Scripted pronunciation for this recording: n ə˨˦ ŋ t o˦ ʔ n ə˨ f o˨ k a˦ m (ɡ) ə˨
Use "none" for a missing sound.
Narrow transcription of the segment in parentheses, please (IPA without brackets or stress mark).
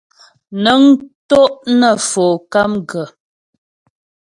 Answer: ɡ